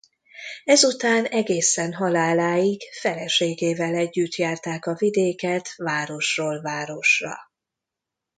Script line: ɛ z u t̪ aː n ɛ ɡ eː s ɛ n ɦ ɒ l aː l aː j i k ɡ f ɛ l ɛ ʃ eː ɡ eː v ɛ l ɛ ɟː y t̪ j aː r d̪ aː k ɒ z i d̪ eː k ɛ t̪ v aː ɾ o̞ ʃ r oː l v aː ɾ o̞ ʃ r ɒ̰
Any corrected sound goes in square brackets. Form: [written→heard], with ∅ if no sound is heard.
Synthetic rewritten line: ɛ z u t̪ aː n ɛ ɡ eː s ɛ n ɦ ɒ l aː l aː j i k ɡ f ɛ l ɛ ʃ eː ɡ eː v ɛ l ɛ ɟː y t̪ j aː r [d̪→t̪] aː k ɒ [z→v] i d̪ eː k ɛ t̪ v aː ɾ o̞ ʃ r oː l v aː ɾ o̞ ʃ r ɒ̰